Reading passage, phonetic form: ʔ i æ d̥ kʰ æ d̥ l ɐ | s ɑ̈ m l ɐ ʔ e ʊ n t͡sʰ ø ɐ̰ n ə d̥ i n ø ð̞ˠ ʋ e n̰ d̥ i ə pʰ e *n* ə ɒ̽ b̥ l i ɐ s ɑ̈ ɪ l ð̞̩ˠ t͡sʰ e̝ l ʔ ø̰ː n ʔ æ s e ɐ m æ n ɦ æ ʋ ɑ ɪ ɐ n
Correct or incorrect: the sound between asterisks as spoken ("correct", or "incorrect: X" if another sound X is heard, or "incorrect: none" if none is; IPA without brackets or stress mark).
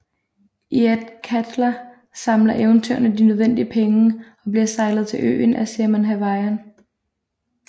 incorrect: ŋ